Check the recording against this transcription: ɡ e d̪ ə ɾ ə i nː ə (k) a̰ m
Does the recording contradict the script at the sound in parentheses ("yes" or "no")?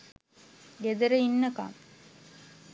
no